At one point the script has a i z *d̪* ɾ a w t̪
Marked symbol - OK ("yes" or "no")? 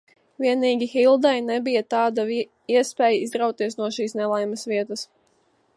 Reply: yes